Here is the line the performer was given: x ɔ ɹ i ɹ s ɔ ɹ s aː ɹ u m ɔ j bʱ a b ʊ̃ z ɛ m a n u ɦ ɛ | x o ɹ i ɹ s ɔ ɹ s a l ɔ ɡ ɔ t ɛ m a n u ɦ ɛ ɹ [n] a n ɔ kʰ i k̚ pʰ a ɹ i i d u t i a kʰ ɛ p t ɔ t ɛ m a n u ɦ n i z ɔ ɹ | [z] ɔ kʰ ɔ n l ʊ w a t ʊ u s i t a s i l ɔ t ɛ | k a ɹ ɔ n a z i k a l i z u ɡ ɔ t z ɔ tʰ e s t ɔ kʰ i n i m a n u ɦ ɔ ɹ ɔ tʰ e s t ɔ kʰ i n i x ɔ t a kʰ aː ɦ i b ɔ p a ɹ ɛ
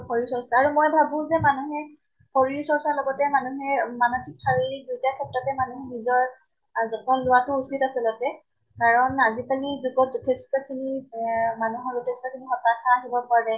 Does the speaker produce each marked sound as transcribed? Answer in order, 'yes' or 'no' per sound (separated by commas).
no, yes